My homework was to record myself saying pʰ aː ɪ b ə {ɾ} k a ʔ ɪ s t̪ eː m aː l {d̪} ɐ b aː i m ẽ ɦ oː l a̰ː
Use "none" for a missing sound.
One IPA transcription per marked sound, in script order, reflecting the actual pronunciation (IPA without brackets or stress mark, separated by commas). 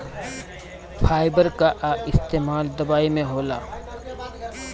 ɾ, d̪